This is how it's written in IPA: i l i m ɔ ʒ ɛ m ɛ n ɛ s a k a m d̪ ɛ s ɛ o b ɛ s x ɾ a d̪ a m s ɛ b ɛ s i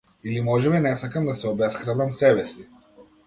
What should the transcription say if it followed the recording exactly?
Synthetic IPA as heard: i l i m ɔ ʒ ɛ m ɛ n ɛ s a k a m d̪ a s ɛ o b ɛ s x ɾ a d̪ a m s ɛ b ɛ s i